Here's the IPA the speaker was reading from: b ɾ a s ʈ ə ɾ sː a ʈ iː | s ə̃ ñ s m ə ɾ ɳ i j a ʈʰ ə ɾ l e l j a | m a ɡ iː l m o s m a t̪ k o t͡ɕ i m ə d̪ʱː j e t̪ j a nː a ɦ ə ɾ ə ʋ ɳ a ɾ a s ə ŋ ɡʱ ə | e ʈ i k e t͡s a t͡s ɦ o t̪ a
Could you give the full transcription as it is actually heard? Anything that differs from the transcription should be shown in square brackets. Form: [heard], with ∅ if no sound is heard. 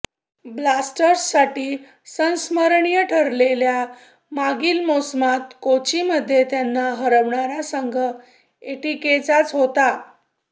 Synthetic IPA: b [l] a s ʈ ə ɾ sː a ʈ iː | s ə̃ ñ s m ə ɾ ɳ i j [ə] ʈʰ ə ɾ l e l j a | m a ɡ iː l m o s m a t̪ k o t͡ɕ i m ə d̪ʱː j e t̪ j a nː a ɦ ə ɾ ə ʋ ɳ a ɾ a s ə ŋ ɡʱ ə | e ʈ i k e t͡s a t͡s ɦ o t̪ a